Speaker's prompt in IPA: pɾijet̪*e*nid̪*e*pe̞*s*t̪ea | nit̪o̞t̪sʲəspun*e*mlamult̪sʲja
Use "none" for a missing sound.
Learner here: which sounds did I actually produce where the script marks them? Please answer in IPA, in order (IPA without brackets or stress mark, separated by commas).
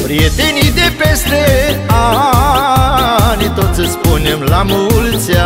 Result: e, e, s, e